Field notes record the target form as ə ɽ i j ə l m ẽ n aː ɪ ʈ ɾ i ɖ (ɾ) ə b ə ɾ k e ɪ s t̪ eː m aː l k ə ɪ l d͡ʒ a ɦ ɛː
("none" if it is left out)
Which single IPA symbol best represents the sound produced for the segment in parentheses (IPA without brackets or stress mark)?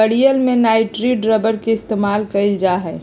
ɾ